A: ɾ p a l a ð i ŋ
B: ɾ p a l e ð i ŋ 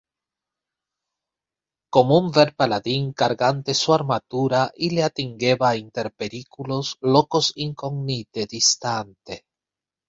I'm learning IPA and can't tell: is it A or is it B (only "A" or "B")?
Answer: A